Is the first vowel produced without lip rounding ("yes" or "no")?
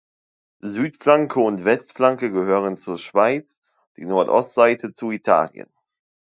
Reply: no